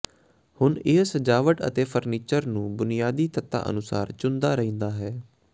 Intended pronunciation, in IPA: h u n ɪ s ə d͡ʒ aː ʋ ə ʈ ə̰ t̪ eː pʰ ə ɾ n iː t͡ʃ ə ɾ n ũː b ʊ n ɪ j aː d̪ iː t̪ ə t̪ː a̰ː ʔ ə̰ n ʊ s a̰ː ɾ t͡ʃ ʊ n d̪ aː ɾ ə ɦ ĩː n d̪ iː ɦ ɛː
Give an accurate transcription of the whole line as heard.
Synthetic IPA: h ʊ n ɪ s ə d͡ʒ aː ʋ ə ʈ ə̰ t̪ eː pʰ ə ɾ n iː t͡ʃ ə ɾ n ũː b ʊ n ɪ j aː d̪ iː t̪ ə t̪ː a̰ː ʔ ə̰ n ʊ s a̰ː ɾ t͡ʃ ʊ n d̪ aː ɾ ə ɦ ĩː n d̪ aː ɦ ɛː